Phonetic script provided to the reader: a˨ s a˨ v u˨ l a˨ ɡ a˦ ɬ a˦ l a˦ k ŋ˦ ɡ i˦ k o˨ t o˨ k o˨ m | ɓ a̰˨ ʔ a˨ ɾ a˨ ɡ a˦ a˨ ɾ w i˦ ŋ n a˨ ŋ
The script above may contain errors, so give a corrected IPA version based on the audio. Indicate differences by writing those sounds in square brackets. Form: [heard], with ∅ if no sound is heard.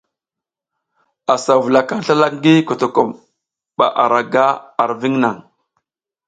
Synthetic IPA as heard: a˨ s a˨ v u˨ l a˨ [k] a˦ ɬ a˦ l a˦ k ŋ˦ ɡ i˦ k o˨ t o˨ k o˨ m | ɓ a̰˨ ʔ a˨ ɾ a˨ ɡ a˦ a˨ ɾ [v] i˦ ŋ n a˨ ŋ

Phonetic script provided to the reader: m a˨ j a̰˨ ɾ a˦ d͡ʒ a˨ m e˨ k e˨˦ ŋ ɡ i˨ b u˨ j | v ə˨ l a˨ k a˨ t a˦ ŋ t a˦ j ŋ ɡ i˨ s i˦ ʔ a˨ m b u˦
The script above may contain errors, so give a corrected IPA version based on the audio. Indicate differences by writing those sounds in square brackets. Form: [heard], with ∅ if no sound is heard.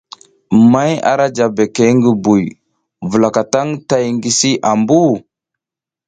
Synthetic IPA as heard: m [a˦] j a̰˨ ɾ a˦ d͡ʒ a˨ [b] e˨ k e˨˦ ŋ ɡ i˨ b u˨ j | v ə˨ l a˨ k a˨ t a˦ ŋ t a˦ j ŋ ɡ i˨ s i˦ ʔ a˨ m b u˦

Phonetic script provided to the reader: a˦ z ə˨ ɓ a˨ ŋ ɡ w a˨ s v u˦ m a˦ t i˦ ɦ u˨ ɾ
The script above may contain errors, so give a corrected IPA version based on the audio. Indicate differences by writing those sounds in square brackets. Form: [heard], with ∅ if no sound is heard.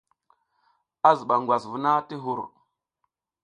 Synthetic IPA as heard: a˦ z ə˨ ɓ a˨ ŋ ɡ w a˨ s v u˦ [n] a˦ t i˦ ɦ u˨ ɾ

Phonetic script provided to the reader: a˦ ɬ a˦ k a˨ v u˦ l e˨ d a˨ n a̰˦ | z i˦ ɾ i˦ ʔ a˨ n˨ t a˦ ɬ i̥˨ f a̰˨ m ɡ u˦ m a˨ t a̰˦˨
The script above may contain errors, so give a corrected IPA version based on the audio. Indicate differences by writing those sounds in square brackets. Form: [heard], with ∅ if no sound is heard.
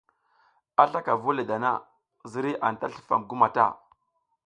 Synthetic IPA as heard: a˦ ɬ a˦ k a˨ v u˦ l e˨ d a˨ n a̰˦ | z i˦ ɾ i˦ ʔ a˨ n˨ t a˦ ɬ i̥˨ f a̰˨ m ɡ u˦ m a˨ t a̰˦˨

